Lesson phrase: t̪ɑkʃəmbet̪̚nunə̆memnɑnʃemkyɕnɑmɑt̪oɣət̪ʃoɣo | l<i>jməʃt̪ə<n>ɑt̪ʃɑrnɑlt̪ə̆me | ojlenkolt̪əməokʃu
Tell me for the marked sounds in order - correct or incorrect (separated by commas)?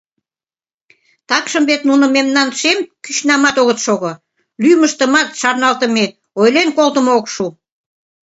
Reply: incorrect, incorrect